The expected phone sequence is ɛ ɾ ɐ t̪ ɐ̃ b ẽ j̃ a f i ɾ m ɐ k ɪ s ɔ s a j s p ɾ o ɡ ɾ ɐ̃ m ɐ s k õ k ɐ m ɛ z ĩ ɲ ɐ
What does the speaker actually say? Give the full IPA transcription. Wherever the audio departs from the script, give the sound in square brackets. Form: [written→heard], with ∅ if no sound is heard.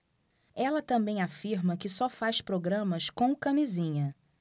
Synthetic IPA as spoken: ɛ [ɾ→l] ɐ t̪ ɐ̃ b ẽ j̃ a f i ɾ m ɐ k ɪ s ɔ [s→f] a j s p ɾ o ɡ ɾ ɐ̃ m ɐ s k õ k ɐ m [ɛ→i] z ĩ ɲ ɐ